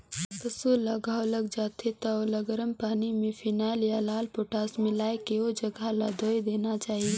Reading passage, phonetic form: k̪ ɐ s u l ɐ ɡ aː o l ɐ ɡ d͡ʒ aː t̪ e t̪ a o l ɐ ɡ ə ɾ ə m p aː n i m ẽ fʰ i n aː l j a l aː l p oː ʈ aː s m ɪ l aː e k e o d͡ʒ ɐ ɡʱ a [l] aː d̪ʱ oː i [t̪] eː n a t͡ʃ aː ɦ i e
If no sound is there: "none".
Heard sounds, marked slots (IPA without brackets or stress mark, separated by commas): l, d̪